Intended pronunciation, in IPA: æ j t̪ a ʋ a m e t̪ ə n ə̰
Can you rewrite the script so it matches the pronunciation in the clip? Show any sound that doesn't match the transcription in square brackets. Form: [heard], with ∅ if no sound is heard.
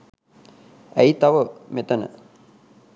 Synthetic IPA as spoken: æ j t̪ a ʋ [ə] m e t̪ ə n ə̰

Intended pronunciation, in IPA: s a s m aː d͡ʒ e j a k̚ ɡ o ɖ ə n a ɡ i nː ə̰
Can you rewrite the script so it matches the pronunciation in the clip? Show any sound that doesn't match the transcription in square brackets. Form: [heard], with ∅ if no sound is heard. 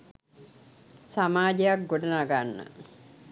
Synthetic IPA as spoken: s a [∅] m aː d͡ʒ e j a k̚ ɡ o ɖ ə n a ɡ [a] nː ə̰

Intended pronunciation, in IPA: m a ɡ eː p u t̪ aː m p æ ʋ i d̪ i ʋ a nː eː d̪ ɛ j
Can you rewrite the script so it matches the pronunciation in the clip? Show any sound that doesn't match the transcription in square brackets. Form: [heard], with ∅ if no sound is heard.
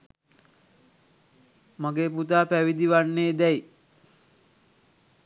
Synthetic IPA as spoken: m a ɡ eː p u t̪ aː [∅] p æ ʋ i d̪ i ʋ a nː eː d̪ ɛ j

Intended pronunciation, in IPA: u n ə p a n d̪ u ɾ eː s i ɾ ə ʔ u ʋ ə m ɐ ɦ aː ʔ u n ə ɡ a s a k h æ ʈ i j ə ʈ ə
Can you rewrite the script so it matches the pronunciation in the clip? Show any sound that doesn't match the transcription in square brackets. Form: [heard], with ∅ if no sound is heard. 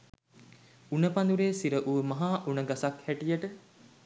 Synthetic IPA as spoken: u n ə p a n d̪ u ɾ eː s i ɾ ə ʔ u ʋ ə m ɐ ɦ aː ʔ u n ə ɡ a s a k h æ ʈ i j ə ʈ ə

